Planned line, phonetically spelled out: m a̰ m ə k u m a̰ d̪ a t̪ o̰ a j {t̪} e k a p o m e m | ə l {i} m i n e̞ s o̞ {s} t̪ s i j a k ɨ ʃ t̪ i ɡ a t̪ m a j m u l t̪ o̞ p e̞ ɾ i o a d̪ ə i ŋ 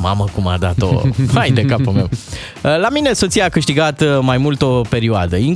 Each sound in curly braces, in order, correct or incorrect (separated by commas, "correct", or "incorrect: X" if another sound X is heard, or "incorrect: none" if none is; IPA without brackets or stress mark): incorrect: d̪, incorrect: a, incorrect: none